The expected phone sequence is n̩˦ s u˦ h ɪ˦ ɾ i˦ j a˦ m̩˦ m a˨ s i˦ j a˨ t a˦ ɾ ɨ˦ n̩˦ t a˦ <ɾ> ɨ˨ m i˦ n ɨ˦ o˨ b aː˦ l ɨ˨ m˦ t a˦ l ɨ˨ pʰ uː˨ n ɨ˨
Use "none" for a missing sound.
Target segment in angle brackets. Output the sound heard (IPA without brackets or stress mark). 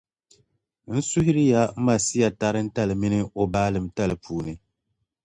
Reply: l